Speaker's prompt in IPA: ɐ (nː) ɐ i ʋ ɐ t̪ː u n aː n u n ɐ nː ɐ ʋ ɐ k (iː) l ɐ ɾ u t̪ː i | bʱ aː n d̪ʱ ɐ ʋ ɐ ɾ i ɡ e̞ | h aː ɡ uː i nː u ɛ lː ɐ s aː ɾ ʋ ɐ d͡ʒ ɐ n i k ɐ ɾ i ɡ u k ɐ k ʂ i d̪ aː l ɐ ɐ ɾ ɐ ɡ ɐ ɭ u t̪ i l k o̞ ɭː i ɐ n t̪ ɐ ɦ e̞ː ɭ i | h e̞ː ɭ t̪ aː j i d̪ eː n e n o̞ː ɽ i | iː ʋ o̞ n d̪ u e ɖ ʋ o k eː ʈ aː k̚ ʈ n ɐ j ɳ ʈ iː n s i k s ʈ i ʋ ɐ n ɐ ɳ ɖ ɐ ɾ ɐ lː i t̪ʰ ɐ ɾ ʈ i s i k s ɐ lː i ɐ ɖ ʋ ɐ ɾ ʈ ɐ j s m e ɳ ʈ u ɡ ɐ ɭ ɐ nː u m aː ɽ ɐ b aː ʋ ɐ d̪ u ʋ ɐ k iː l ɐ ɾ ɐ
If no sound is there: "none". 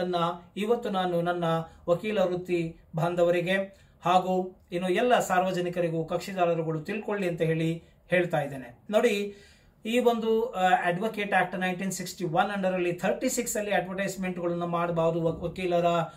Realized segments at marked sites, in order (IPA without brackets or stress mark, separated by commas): nː, iː